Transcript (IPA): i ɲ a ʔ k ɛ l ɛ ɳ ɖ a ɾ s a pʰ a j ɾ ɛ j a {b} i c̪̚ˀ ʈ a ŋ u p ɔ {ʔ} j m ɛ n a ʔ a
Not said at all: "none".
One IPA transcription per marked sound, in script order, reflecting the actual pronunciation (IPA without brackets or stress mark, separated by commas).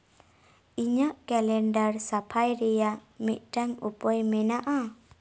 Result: m, none